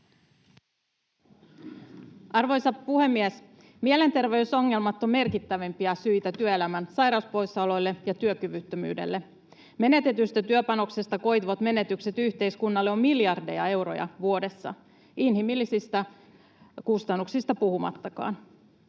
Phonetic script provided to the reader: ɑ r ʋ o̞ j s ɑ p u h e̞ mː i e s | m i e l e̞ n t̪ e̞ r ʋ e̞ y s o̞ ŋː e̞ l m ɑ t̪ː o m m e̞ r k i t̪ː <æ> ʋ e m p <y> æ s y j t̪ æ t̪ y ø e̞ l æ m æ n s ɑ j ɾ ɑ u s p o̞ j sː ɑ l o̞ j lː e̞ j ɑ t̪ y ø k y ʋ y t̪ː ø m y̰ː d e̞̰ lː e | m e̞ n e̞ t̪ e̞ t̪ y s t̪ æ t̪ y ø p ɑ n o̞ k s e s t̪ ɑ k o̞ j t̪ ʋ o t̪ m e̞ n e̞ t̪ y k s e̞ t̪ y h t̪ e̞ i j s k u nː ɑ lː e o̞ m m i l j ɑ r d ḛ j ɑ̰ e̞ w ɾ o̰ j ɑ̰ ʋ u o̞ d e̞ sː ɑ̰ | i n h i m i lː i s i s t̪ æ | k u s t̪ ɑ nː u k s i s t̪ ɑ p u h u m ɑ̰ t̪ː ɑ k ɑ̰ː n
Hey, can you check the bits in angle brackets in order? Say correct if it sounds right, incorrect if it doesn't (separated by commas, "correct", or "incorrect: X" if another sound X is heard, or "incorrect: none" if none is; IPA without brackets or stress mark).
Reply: correct, incorrect: i